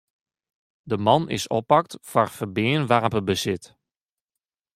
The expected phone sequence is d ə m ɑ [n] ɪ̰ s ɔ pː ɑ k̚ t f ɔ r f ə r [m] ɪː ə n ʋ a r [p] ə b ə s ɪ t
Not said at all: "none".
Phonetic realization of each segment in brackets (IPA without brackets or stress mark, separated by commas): n, b, p